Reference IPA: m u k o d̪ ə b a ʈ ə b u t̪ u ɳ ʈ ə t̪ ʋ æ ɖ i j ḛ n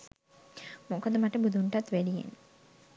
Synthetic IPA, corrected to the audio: m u k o d̪ ə m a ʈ ə b u d̪ u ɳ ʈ a t̪ ʋ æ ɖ i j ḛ n